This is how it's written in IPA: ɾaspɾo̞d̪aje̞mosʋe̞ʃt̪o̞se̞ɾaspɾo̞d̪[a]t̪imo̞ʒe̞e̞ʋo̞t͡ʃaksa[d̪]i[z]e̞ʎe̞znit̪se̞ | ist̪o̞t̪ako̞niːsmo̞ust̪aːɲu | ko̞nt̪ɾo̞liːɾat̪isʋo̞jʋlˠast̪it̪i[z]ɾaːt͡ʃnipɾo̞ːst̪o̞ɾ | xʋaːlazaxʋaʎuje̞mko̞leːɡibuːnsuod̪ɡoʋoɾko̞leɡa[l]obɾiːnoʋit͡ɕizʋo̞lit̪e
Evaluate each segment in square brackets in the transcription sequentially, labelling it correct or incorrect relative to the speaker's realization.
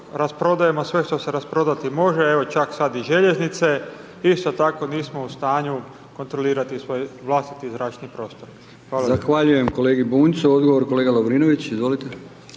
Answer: correct, correct, incorrect: ʒ, correct, correct

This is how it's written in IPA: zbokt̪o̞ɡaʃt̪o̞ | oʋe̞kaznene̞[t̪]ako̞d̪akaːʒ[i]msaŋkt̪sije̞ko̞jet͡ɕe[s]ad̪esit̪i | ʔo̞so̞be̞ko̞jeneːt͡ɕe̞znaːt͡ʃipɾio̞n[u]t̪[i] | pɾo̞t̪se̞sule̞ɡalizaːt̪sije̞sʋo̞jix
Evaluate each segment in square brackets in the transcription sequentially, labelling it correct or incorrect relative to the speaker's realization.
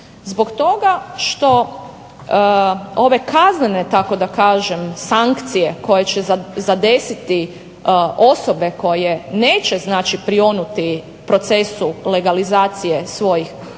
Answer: correct, incorrect: e, incorrect: z, correct, correct

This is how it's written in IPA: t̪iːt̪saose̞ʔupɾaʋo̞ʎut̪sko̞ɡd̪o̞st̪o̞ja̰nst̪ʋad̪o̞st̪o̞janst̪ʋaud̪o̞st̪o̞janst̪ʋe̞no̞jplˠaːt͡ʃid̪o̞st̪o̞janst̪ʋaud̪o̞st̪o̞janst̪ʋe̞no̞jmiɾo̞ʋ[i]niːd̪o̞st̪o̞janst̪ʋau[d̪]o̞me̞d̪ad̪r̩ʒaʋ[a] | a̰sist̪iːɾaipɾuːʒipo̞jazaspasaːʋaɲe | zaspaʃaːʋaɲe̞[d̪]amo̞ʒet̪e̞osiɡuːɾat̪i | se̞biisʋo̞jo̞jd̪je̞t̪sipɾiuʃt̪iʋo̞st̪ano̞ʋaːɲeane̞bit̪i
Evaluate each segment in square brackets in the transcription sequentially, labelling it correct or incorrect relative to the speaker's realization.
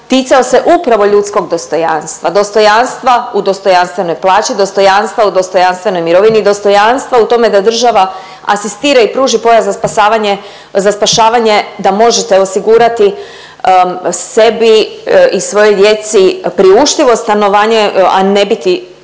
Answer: correct, incorrect: t̪, correct, correct

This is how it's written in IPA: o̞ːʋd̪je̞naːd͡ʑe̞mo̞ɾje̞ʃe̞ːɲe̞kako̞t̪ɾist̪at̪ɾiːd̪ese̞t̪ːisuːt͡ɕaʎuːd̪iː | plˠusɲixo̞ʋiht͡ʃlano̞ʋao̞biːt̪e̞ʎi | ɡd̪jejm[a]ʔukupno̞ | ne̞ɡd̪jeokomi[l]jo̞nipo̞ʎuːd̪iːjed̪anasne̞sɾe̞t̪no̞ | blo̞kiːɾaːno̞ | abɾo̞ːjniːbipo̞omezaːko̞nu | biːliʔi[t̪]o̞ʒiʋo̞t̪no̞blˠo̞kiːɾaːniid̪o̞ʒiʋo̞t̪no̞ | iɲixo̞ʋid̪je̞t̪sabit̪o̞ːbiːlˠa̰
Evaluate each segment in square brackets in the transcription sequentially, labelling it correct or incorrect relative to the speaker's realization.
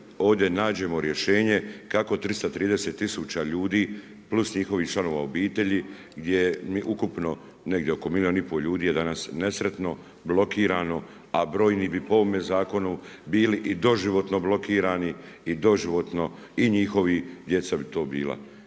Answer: incorrect: i, correct, incorrect: d̪

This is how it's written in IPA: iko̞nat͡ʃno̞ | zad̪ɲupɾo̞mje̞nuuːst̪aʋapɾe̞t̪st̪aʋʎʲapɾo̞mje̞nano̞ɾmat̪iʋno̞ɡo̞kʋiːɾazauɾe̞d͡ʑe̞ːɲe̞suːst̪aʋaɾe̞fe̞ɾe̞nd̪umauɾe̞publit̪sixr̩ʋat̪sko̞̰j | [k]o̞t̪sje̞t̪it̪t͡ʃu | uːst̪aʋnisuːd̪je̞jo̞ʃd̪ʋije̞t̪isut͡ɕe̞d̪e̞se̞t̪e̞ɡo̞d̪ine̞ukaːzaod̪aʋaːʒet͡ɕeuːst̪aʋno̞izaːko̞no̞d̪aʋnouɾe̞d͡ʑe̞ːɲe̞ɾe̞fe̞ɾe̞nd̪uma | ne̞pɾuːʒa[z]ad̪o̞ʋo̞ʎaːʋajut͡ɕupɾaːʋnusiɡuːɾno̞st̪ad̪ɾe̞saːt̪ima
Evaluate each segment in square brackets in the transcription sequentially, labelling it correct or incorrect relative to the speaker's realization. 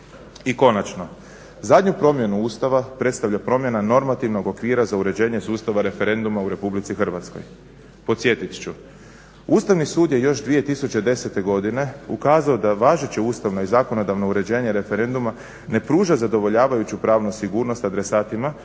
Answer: incorrect: p, correct

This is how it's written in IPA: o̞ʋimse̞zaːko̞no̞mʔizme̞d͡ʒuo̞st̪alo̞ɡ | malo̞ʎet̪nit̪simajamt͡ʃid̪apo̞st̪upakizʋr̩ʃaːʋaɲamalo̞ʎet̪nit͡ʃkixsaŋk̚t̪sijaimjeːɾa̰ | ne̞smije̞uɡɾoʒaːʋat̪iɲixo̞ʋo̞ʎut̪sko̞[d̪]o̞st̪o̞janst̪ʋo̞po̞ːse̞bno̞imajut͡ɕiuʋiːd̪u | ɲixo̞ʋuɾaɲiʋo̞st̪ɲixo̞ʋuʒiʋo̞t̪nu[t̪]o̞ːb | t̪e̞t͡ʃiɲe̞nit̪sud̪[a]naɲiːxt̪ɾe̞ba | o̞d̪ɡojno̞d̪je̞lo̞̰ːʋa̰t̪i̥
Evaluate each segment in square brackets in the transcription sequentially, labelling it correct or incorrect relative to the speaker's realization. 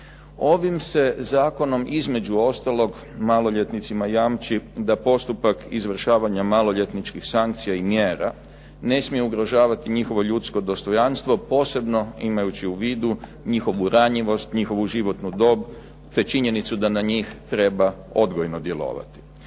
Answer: correct, incorrect: d̪, correct

